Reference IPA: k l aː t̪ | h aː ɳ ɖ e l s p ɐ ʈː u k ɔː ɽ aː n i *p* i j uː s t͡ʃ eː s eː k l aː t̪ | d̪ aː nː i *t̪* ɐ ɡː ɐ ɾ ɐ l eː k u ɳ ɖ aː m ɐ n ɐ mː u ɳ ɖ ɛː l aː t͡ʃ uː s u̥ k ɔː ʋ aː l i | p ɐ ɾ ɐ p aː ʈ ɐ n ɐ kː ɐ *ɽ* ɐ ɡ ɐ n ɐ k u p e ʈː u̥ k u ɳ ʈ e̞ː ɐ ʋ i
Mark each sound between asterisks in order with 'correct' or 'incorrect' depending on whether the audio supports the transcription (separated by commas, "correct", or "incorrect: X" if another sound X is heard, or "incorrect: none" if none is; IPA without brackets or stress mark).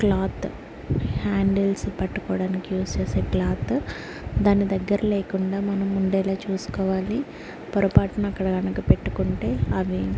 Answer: incorrect: k, incorrect: d̪, correct